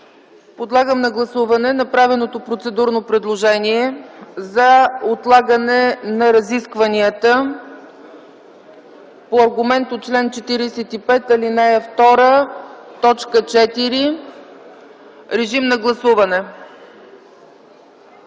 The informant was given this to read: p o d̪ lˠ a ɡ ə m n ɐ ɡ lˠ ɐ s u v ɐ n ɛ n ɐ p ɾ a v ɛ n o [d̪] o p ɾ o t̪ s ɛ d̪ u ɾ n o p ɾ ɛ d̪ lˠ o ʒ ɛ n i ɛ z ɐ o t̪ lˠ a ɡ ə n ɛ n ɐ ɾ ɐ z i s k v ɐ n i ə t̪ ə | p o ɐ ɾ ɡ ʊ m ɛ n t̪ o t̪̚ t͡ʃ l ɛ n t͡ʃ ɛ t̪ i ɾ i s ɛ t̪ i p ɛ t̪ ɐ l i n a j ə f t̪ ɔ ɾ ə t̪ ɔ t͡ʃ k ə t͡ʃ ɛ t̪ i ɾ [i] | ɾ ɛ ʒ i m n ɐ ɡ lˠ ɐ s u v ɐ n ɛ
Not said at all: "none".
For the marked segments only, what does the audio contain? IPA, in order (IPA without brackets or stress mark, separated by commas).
t̪, i